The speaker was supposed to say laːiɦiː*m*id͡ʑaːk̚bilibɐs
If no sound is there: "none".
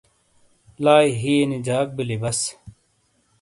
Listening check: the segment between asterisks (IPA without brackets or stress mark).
n